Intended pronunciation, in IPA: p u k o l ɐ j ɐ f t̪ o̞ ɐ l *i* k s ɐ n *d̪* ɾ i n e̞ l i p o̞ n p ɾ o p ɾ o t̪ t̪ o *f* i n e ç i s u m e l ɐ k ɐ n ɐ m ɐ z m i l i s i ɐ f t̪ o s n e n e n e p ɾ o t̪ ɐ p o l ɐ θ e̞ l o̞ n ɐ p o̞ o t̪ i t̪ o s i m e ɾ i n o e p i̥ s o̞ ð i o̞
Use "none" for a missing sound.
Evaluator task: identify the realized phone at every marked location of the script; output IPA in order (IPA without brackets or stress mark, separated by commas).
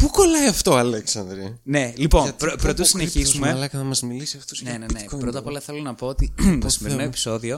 e, d̪, s